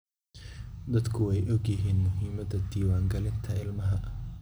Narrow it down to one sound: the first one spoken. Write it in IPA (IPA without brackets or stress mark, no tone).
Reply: d̪